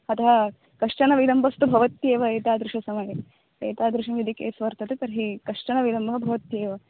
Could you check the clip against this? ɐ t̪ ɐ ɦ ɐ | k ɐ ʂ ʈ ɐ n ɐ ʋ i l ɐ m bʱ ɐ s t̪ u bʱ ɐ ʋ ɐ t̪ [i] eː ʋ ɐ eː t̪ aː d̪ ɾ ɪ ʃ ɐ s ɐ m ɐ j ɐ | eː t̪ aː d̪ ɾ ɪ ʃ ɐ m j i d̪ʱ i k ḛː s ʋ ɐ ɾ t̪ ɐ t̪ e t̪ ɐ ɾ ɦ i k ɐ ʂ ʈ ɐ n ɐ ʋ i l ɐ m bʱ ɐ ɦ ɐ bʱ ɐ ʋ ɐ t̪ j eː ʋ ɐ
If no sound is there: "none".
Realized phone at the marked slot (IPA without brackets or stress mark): j